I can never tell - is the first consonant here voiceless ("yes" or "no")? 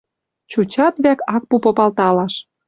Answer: yes